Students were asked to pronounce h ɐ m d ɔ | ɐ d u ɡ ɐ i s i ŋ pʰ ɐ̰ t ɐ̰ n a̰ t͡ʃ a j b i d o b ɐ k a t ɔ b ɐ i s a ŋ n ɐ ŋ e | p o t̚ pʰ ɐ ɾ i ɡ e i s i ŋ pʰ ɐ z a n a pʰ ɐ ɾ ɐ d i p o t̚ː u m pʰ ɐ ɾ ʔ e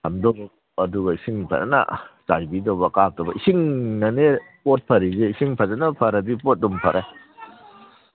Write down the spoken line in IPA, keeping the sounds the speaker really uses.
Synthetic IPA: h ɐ m d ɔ | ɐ d u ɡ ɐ i s i ŋ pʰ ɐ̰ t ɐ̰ n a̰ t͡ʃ a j b i d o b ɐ k a t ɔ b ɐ i s i ŋ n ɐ n e | p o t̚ pʰ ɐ ɾ i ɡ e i s i ŋ pʰ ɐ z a n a pʰ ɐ ɾ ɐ d i p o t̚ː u m pʰ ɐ ɾ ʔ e